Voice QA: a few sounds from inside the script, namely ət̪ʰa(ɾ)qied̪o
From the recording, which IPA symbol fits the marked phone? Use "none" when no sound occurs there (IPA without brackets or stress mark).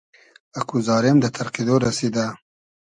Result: ɾ